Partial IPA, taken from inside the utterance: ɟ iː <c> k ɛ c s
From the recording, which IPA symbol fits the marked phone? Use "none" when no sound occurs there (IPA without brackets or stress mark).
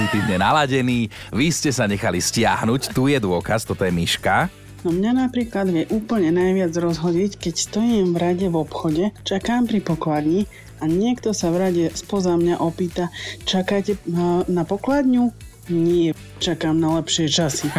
c